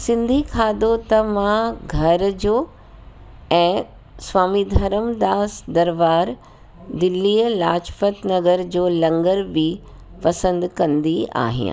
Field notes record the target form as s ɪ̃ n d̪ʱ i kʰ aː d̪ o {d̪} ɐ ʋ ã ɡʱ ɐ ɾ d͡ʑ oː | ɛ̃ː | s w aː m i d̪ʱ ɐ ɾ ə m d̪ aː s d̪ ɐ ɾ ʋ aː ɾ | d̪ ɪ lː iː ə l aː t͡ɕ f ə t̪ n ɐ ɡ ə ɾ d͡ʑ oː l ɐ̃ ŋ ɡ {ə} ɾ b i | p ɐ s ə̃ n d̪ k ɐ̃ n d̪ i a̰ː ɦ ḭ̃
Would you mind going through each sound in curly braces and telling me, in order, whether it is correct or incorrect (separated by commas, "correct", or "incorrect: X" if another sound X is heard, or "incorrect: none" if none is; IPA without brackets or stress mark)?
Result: incorrect: t̪, correct